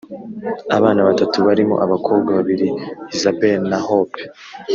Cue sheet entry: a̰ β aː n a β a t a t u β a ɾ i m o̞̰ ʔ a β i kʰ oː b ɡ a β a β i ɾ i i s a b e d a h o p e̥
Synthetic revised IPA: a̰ β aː n a β a t a t u β a ɾ i m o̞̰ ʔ a β a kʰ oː b ɡ a β a β i ɾ i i z a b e n a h o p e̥